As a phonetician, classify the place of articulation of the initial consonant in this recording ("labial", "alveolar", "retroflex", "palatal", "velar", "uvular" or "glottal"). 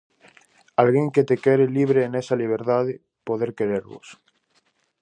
alveolar